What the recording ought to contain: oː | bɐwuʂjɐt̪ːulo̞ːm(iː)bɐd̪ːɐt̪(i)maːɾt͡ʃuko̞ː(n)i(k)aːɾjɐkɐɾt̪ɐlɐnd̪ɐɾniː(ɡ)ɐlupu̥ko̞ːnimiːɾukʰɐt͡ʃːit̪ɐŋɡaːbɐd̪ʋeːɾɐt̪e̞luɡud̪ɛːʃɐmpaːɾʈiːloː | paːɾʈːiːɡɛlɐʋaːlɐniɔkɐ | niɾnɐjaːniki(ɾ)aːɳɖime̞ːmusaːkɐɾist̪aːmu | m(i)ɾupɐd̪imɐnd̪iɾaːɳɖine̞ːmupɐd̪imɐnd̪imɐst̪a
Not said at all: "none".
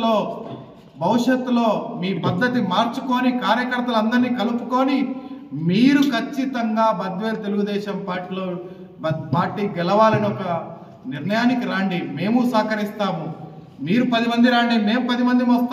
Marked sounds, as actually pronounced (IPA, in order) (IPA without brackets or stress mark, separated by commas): iː, i, n, k, k, ɾ, iː